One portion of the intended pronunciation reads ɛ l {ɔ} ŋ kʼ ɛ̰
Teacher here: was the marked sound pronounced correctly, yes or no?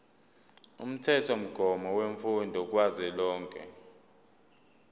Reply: no